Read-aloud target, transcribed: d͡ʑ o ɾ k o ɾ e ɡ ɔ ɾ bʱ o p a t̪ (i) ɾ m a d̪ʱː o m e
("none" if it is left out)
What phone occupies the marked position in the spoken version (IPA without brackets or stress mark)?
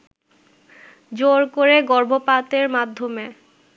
e